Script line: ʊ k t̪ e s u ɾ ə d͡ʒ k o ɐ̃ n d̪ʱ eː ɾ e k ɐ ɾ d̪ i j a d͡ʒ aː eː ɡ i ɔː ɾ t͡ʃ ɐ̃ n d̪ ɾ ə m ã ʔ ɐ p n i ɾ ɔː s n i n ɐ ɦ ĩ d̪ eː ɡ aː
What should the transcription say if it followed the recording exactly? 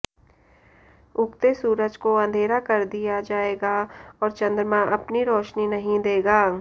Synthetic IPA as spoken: ʊ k t̪ e s uː ɾ ə d͡ʒ k o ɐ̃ n d̪ʱ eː ɾ a k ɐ ɾ d̪ i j a d͡ʒ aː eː ɡ a ɔː ɾ t͡ʃ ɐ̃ n d̪ ɾ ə m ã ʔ ɐ p n i ɾ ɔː ʃ n i n ɐ ɦ ĩ d̪ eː ɡ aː